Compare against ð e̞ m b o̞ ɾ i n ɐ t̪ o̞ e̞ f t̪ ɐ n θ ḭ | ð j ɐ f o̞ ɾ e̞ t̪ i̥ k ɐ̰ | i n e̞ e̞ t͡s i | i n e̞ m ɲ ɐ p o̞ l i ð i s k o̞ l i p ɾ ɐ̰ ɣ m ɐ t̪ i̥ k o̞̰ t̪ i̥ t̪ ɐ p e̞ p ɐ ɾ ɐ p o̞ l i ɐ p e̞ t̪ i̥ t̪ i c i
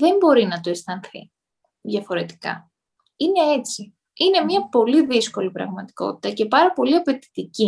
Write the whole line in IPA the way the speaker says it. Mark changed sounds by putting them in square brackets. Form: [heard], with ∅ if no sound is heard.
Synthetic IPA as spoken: ð e̞ m b o̞ ɾ i n ɐ t̪ o̞ e̞ [s] t̪ ɐ n θ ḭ | ð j ɐ f o̞ ɾ e̞ t̪ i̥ k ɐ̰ | i n e̞ e̞ t͡s i | i n e̞ m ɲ ɐ p o̞ l i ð i s k o̞ l i p ɾ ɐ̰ ɣ m ɐ t̪ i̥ k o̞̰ t̪ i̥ t̪ ɐ [c] e̞ p ɐ ɾ ɐ p o̞ l i ɐ p e̞ t̪ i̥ t̪ i c i